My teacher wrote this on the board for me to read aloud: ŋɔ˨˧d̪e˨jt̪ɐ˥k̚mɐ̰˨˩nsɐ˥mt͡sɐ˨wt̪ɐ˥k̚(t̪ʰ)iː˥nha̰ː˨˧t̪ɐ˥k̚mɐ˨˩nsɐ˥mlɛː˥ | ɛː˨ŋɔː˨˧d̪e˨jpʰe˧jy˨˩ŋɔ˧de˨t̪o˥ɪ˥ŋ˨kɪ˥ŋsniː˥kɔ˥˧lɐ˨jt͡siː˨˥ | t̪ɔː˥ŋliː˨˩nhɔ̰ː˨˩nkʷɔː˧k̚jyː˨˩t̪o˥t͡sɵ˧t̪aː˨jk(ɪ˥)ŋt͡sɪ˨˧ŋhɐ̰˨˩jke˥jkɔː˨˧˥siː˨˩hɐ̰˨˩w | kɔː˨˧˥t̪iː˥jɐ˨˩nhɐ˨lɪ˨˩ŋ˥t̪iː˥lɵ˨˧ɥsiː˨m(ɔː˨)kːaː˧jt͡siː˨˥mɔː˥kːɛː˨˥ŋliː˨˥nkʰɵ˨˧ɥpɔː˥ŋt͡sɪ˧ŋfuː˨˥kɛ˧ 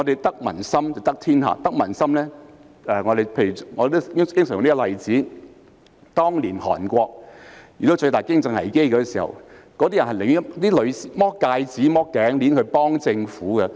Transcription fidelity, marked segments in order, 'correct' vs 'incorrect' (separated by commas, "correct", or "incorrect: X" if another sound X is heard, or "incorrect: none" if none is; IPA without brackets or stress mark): correct, correct, incorrect: ɔː˥